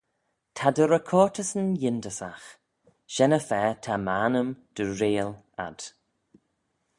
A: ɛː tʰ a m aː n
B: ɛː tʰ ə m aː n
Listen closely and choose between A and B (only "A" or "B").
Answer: A